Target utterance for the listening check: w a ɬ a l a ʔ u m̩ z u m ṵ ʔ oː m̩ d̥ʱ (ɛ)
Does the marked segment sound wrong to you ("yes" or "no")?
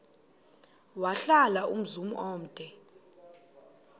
no